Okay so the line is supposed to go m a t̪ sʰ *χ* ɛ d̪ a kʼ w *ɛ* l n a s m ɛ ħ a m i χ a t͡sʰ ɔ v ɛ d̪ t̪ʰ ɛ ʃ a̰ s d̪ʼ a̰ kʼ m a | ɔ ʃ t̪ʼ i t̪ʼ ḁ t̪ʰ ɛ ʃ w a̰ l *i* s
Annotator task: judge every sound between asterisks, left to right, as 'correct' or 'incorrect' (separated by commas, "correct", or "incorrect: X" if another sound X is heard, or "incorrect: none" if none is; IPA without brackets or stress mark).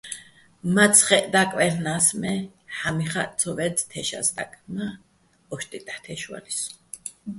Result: correct, correct, correct